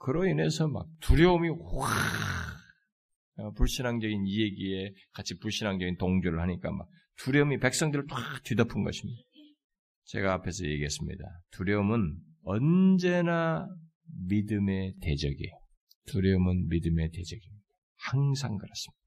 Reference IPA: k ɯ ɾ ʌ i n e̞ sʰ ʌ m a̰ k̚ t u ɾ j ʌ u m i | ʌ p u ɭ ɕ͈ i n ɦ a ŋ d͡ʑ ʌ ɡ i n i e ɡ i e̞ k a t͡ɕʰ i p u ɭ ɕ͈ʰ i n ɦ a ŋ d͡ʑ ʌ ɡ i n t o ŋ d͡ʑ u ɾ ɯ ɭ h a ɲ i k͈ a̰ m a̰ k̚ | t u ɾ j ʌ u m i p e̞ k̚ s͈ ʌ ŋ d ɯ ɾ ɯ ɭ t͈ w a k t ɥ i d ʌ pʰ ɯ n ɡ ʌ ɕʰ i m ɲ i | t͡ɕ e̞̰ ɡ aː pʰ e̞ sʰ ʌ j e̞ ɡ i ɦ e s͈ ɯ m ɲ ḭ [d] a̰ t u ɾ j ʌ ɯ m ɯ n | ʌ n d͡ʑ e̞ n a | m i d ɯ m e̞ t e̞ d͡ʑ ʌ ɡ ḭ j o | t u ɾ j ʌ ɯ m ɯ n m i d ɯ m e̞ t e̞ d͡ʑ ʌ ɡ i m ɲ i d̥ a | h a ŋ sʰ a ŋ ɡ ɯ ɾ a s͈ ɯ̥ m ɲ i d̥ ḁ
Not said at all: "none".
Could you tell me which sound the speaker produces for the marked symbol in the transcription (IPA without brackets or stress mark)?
d